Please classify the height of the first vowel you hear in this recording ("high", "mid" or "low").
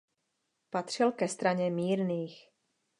low